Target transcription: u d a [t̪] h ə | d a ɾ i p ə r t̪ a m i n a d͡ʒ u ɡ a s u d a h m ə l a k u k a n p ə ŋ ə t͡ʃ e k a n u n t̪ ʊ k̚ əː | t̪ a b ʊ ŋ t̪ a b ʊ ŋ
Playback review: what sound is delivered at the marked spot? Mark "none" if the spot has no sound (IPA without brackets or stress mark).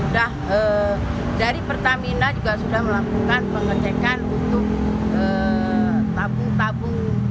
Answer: none